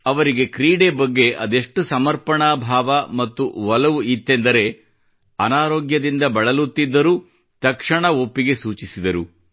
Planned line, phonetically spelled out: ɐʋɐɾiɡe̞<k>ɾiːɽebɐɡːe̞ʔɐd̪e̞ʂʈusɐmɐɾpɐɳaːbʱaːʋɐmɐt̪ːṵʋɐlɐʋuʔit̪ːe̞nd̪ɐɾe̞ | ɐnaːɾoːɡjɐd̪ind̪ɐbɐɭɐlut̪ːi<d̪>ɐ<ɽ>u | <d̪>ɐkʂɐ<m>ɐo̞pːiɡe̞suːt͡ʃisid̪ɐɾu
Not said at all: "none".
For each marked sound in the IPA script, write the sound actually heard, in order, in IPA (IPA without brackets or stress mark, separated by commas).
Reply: k, d̪ː, ɾ, t̪, ɳ